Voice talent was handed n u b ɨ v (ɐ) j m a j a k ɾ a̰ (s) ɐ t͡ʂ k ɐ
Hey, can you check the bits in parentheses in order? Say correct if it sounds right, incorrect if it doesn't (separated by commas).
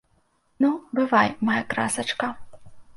incorrect, correct